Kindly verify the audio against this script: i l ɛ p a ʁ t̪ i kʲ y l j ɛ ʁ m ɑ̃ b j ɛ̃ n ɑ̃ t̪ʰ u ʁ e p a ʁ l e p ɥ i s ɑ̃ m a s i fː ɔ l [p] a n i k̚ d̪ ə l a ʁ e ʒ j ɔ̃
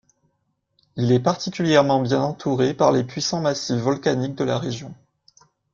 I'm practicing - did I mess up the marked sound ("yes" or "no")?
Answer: yes